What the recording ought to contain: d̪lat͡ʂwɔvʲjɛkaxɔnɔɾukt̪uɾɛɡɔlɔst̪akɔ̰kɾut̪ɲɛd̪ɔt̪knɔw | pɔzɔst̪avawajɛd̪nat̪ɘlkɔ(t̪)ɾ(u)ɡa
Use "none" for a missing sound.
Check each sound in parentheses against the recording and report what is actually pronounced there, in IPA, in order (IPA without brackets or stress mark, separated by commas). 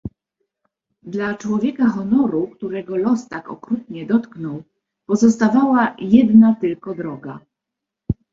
d̪, ɔ